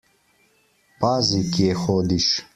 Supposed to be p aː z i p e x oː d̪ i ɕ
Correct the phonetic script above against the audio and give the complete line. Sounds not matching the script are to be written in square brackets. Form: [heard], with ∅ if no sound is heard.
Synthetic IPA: p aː z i [k] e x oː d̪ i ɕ